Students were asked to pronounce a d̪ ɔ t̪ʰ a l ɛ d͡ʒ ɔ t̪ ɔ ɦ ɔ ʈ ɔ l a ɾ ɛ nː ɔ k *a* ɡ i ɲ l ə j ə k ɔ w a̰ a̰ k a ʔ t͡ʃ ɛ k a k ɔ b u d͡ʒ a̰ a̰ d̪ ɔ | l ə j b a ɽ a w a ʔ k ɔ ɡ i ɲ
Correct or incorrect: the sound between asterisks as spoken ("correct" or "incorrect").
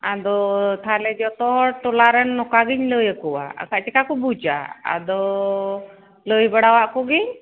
correct